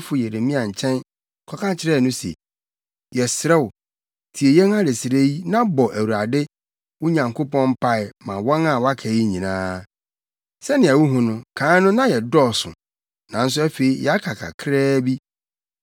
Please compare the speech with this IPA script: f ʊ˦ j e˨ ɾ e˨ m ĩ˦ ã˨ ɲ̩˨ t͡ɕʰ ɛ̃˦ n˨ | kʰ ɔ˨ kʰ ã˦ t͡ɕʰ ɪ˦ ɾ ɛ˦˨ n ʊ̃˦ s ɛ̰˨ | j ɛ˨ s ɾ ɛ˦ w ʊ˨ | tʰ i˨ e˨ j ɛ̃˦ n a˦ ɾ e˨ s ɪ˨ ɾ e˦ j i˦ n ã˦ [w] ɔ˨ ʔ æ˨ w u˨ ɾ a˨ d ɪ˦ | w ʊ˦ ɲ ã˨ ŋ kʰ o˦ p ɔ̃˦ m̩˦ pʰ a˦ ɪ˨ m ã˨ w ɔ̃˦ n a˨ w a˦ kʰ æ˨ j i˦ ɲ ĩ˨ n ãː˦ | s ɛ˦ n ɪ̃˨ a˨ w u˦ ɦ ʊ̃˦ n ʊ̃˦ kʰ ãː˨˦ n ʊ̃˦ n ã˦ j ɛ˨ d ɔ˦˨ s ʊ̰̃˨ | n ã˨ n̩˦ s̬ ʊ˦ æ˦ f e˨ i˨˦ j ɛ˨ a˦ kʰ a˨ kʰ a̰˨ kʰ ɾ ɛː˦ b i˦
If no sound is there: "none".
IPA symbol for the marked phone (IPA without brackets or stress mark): b